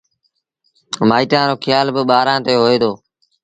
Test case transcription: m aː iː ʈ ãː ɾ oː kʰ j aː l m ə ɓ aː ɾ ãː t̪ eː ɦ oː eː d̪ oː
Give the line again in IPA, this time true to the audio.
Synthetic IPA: m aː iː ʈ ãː ɾ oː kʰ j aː l b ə ɓ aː ɾ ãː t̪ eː ɦ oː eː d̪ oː

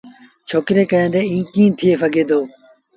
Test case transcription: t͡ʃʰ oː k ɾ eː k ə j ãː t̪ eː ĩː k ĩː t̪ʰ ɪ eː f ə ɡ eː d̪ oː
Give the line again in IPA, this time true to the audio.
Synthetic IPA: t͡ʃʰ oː k ɾ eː k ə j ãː d̪ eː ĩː k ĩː t̪ʰ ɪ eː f ə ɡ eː d̪ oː

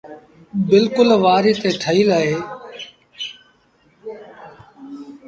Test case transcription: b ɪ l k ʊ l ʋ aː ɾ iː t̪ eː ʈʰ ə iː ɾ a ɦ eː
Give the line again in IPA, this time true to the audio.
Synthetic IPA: b ɪ l k ʊ l ʋ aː ɾ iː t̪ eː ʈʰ ə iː l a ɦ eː

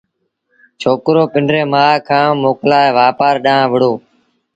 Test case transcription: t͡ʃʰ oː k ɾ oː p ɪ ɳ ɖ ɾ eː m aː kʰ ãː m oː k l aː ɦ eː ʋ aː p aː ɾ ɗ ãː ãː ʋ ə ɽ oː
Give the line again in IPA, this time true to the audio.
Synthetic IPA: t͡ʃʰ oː k ɾ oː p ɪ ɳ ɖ ɾ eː m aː kʰ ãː m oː k l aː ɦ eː ʋ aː p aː ɾ ɗ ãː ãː ʋ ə ɽ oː

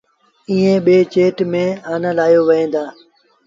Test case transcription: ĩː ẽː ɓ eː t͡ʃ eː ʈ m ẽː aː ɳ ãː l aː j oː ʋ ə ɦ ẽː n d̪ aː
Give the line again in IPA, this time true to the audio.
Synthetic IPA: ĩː ẽː ɓ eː t͡ʃ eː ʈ m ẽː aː n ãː l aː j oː ʋ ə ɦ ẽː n d̪ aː

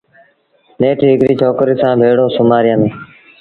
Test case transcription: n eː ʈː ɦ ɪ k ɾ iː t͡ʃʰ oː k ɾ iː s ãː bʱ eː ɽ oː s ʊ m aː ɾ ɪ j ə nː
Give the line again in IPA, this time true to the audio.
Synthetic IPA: n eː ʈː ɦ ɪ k ɾ iː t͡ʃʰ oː k ɾ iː s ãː bʱ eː ɽ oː s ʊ m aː ɾ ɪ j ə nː

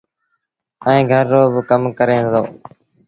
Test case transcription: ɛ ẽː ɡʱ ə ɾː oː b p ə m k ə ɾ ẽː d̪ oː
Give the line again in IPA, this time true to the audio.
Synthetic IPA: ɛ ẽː ɡʱ ə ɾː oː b k ə m k ə ɾ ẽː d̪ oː

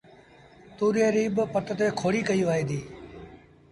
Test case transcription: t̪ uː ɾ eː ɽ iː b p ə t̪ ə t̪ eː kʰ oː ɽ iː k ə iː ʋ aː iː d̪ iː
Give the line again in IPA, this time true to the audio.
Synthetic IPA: t̪ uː ɾ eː ɾ iː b p ə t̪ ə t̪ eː kʰ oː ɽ iː k ə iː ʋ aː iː d̪ iː

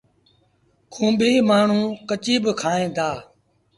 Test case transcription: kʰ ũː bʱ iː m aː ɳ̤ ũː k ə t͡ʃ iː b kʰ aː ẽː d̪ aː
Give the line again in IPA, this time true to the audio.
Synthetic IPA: kʰ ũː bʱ iː m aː ɳ̤ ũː k ə t͡ʃ iː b kʰ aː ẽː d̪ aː

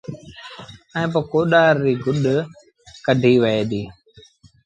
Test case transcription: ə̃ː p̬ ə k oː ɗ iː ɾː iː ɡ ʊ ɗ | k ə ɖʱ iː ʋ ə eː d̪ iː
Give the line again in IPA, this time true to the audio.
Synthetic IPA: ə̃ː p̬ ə k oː ɗ aː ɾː iː ɡ ʊ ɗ | k ə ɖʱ iː ʋ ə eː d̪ iː

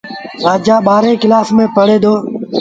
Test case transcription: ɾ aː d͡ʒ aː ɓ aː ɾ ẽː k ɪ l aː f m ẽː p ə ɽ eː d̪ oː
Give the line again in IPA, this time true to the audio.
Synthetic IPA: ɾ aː d͡ʒ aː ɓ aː ɾ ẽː k ɪ l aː f m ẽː p ə ɽ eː d̪ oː

